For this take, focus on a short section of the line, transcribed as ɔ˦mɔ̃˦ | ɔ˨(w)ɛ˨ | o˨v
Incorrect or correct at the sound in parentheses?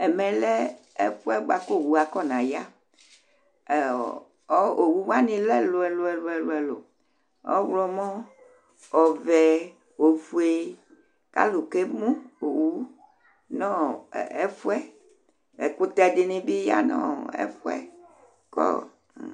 incorrect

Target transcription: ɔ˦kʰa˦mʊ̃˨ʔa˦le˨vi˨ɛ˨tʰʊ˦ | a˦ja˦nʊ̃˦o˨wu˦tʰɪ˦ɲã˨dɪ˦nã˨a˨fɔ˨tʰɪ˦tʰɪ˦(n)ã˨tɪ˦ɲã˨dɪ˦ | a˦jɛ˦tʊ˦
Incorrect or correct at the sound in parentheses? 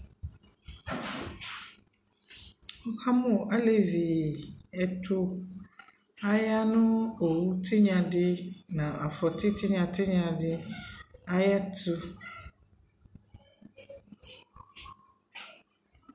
incorrect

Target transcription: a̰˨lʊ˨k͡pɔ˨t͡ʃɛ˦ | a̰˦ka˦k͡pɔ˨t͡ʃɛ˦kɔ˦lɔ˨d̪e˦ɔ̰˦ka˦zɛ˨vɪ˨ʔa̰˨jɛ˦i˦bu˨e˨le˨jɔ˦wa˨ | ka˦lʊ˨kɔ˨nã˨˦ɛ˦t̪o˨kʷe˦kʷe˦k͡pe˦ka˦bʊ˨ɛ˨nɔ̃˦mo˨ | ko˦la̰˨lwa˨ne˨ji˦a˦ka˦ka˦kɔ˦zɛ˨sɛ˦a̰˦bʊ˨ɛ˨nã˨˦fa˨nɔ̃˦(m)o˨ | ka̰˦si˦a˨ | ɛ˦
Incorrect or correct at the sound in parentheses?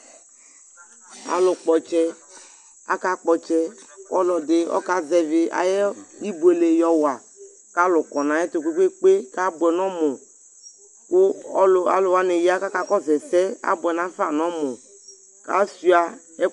correct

